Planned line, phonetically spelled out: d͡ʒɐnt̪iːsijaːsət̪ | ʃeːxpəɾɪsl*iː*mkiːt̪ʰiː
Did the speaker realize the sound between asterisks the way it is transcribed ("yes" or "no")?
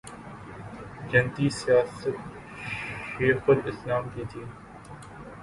no